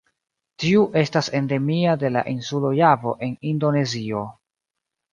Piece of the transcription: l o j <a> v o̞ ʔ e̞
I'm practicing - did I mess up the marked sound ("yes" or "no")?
no